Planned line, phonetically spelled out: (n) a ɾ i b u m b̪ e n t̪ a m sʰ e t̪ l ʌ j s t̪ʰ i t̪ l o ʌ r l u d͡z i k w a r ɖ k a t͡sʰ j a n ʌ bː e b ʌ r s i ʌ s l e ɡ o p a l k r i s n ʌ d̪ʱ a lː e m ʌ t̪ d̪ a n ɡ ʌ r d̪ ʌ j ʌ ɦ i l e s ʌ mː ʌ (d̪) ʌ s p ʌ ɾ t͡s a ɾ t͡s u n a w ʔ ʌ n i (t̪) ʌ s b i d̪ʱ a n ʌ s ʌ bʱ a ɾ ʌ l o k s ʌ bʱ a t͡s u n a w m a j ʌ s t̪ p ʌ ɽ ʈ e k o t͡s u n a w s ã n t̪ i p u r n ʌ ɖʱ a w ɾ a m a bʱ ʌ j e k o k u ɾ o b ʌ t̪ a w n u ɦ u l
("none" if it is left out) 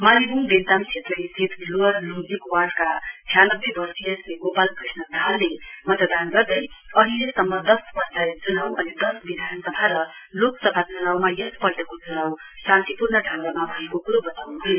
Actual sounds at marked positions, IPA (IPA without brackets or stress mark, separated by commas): m, d̪, d̪